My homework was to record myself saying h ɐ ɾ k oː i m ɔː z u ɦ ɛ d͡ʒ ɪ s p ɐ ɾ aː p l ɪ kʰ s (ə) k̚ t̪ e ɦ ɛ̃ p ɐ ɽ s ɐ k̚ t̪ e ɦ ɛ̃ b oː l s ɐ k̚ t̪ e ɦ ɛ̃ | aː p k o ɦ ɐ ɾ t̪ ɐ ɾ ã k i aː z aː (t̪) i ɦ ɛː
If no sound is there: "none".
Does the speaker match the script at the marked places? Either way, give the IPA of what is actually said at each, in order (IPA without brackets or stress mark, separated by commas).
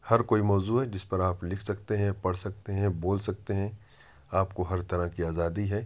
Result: ɐ, d̪